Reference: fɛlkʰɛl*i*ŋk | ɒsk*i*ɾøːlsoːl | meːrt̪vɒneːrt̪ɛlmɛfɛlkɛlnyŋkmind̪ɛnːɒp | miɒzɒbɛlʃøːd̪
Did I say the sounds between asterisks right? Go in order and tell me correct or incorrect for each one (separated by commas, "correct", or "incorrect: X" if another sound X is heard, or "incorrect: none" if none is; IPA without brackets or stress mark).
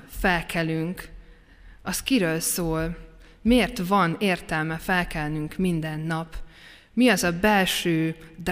incorrect: y, correct